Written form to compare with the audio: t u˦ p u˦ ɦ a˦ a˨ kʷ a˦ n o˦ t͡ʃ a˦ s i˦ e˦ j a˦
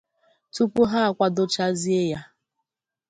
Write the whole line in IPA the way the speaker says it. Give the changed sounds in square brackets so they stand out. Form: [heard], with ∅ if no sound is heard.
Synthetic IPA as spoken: t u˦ p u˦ ɦ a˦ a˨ kʷ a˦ [d] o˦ t͡ʃ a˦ [z] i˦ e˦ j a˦